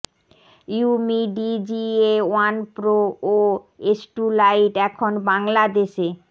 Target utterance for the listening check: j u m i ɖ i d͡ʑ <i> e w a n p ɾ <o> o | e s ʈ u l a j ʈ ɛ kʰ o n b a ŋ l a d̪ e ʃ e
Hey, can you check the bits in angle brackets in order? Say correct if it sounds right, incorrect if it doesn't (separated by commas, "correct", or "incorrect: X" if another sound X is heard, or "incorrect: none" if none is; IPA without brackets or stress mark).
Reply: correct, correct